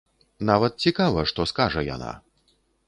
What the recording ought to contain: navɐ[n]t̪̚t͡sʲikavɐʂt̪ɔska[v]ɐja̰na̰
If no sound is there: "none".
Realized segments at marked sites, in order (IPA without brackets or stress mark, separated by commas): none, ʐ